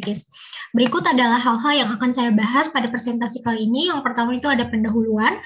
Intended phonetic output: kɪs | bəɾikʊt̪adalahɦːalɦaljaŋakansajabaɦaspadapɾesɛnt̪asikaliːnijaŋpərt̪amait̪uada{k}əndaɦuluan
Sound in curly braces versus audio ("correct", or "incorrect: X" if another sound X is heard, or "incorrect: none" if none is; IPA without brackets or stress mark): incorrect: p